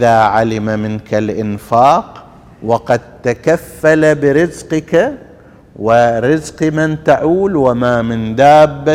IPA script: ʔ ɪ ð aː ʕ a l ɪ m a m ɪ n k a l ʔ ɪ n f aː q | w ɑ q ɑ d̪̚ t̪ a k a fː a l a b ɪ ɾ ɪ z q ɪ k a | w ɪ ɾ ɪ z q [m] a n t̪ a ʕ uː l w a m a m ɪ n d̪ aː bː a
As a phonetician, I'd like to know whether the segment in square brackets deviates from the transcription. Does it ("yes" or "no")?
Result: no